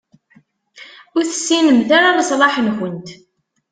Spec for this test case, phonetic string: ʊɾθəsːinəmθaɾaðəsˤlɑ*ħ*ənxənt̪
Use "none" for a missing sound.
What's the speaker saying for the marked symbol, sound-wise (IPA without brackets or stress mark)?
ħ